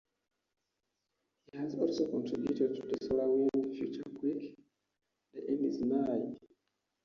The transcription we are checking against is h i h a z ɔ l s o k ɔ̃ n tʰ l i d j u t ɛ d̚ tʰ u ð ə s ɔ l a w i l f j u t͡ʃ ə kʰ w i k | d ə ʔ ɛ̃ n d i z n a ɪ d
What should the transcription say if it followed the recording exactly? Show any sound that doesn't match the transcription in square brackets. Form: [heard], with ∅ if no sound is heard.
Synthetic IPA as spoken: h i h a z ɔ l s o k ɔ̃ n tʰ [ɹ] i [b] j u t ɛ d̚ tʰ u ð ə s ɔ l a w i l f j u t͡ʃ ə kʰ w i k | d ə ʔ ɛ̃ n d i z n a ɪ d